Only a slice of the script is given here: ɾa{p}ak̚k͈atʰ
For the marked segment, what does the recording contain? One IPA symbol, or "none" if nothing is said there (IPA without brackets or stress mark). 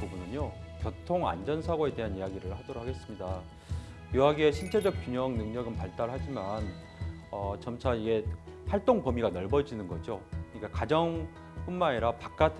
p